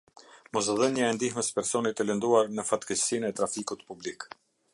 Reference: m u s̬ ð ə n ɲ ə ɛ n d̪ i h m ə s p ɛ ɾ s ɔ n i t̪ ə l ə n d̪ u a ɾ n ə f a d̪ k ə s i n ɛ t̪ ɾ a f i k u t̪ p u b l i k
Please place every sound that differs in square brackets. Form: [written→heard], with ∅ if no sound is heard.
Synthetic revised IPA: m [u→ɔ] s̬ ð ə n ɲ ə ɛ n d̪ i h m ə s p ɛ ɾ s ɔ n i t̪ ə l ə n d̪ u a ɾ n ə f a [d̪→t̪] k ə s i n ɛ t̪ ɾ a f i k u t̪ p u b l i k